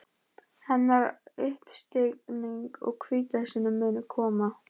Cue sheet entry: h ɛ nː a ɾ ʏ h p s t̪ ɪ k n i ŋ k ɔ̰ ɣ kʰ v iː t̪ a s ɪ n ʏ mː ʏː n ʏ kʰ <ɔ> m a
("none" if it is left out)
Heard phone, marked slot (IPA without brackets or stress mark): ɔː